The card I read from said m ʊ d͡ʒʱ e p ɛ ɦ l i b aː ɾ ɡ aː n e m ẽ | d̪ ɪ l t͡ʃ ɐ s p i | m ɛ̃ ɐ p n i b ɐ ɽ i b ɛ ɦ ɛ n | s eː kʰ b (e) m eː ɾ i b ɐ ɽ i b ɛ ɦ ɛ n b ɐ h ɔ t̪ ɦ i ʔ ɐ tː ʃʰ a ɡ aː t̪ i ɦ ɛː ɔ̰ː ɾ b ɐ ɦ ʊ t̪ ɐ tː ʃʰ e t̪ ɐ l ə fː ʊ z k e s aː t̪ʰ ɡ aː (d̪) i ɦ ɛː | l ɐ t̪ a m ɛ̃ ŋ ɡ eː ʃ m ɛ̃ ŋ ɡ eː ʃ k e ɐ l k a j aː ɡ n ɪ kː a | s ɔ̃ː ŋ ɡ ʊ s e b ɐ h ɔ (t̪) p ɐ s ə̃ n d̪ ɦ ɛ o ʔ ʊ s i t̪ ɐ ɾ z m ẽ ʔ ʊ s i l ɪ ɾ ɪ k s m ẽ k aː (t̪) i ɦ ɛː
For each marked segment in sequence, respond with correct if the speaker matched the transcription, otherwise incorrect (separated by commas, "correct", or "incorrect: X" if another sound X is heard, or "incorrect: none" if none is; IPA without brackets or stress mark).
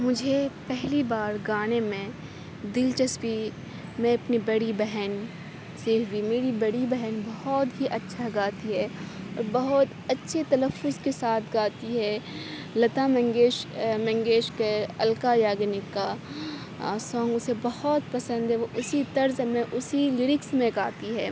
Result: incorrect: i, incorrect: t̪, correct, correct